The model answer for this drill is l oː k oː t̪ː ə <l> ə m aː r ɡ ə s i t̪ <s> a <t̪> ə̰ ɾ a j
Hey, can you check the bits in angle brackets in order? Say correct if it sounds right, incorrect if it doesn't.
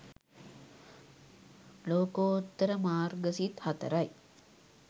incorrect, incorrect, correct

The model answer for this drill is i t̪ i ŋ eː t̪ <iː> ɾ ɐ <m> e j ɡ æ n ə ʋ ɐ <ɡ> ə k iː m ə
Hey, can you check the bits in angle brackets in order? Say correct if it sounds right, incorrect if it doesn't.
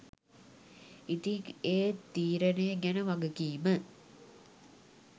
correct, incorrect, correct

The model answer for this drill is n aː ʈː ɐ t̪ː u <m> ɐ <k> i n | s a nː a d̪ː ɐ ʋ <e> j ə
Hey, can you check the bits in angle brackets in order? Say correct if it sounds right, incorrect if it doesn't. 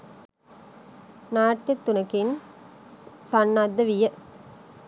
incorrect, correct, incorrect

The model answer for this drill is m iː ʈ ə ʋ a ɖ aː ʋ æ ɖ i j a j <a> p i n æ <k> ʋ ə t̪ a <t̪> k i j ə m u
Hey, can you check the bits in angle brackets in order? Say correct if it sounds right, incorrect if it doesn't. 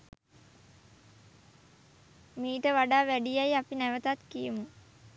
correct, incorrect, correct

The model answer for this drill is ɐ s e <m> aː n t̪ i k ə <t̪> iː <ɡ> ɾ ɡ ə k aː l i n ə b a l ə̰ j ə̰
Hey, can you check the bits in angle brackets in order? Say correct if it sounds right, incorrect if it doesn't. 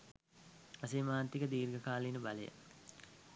correct, incorrect, incorrect

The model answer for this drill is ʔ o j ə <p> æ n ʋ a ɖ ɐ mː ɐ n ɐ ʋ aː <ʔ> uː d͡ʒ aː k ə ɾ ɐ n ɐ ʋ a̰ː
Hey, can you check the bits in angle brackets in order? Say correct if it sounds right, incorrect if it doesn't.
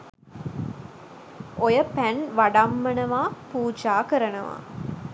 correct, incorrect

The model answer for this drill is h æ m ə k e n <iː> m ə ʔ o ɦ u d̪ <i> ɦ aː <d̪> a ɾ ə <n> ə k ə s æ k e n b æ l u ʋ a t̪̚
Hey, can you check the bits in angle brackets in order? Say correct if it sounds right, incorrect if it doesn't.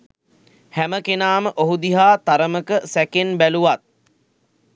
incorrect, correct, incorrect, incorrect

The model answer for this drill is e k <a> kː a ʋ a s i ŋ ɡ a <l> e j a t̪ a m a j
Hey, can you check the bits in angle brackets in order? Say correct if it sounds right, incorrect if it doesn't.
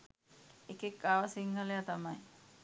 incorrect, correct

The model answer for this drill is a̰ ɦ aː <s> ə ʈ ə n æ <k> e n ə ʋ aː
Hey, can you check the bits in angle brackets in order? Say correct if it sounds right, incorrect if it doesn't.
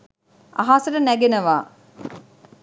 correct, incorrect

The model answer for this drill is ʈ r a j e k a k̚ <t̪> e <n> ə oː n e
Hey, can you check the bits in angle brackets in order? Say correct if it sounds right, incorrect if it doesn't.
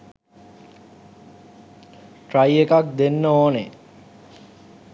incorrect, incorrect

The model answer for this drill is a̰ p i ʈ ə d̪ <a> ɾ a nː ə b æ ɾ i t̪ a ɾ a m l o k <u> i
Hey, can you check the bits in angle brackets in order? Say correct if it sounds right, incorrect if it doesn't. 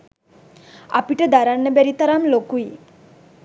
correct, correct

